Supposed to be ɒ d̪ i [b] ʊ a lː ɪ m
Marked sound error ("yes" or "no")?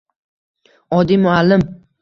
yes